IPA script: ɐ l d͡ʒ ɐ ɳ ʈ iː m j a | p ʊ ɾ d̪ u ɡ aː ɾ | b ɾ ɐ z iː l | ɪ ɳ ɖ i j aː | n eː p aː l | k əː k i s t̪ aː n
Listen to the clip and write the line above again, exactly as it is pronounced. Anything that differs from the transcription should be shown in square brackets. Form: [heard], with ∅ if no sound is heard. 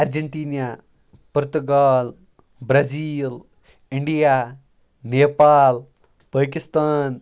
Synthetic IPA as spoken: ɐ [ɾ] d͡ʒ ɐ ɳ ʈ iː [n] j a | p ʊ ɾ [t̪] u ɡ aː [l] | b ɾ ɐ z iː l | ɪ ɳ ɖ i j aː | n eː p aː l | [p] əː k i s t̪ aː n

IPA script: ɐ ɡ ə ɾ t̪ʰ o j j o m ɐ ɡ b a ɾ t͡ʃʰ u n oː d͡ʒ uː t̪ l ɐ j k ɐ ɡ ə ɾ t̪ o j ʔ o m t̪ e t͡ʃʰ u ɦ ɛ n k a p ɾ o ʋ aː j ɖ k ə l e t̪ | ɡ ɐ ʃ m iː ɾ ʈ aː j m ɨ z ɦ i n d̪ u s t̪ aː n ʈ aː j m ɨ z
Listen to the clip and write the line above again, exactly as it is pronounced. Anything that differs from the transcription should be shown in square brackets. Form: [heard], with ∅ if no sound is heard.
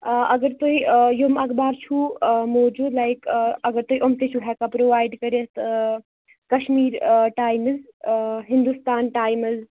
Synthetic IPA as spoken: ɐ ɡ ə ɾ [t̪] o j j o m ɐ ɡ b a ɾ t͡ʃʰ u [m] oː d͡ʒ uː [d̪] l [a] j k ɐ ɡ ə ɾ t̪ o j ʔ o m t̪ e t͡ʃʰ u ɦ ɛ [∅] k a p ɾ o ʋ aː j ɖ k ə [ɾ] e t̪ | [k] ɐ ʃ m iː ɾ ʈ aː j m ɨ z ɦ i n d̪ u s t̪ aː n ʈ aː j m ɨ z

